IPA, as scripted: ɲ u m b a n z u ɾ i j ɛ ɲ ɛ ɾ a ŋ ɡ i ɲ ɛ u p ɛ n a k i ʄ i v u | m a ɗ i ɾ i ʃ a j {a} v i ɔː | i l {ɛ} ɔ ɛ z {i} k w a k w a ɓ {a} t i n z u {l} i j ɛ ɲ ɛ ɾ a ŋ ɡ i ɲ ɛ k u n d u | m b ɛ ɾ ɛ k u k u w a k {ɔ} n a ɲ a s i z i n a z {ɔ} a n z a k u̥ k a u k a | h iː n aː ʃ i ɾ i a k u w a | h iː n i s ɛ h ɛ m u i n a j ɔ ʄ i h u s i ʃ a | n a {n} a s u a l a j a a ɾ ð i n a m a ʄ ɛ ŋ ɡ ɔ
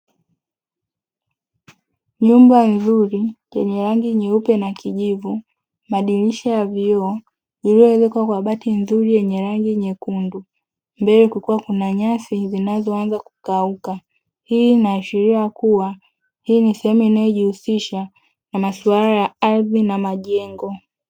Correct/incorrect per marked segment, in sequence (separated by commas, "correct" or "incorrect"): correct, incorrect, incorrect, correct, incorrect, incorrect, correct, incorrect